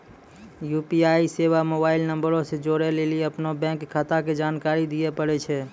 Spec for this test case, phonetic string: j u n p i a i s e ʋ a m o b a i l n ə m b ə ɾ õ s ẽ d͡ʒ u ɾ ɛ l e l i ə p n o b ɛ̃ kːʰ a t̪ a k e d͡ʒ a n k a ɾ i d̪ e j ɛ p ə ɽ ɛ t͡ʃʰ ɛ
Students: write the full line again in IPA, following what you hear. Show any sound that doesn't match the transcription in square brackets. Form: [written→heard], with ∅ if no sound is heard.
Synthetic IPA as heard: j u [n→∅] p i a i s e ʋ a m o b a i l n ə m b ə ɾ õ s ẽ d͡ʒ [u→o] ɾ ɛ l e l i ə p n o b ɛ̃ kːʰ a t̪ a k e d͡ʒ a n k a ɾ i d̪ [e→i] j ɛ p ə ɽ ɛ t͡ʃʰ ɛ